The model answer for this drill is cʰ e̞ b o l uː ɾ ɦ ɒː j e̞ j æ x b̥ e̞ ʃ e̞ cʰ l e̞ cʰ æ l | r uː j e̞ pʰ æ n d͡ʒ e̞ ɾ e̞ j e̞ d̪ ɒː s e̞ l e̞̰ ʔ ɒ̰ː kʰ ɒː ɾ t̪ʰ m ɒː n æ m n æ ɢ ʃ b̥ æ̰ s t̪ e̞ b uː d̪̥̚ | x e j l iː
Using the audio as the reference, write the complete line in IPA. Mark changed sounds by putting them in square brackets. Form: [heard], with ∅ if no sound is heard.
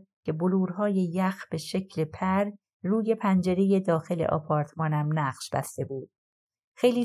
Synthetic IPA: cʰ e̞ b o l uː ɾ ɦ ɒː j e̞ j æ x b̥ e̞ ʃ e̞ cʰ l e̞ [pʰ] æ [ɾ] | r uː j e̞ pʰ æ n d͡ʒ e̞ ɾ e̞ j e̞ d̪ ɒː [x] e̞ l e̞̰ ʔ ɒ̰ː [pʰ] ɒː ɾ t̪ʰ m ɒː n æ m n æ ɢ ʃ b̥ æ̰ s t̪ e̞ b uː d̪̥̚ | x e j l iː